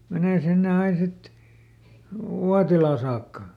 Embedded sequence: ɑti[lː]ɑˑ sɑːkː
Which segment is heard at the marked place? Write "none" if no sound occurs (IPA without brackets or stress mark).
l